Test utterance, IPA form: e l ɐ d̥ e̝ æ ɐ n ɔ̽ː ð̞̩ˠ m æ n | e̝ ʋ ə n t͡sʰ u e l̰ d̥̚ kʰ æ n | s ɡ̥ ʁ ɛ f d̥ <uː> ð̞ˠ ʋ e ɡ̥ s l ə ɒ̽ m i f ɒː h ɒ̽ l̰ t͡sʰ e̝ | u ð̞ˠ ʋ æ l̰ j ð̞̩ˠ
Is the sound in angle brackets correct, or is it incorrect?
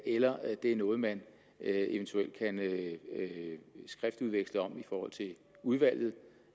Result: incorrect